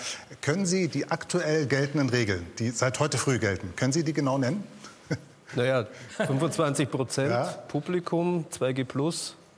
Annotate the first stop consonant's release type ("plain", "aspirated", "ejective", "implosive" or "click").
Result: aspirated